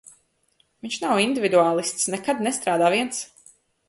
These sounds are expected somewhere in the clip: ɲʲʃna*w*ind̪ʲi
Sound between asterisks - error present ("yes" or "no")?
no